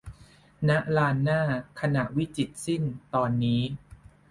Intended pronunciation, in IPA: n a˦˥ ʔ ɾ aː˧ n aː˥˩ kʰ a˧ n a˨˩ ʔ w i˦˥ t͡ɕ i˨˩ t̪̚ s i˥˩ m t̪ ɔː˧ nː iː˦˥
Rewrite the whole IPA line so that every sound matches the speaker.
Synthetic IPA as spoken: n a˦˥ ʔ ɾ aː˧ nː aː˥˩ kʰ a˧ n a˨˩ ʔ w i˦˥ t͡ɕ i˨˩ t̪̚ s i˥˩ n t̪ ɔː˧ nː iː˦˥